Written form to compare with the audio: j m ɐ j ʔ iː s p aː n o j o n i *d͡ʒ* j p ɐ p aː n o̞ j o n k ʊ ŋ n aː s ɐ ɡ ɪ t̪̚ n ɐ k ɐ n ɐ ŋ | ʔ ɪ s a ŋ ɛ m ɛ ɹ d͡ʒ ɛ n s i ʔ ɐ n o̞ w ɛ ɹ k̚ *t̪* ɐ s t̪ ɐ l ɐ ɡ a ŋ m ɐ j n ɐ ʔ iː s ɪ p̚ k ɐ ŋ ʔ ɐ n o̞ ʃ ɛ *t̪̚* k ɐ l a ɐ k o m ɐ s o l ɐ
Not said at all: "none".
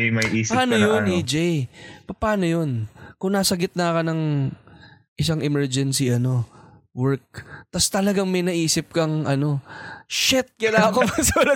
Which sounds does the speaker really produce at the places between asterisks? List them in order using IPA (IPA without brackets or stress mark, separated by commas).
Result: d͡ʒ, t̪, t̪̚